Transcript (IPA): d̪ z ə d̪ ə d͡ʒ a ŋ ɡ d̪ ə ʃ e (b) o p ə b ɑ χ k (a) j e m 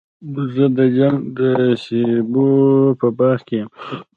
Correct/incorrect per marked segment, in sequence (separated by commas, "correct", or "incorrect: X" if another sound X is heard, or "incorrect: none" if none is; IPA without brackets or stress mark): correct, incorrect: e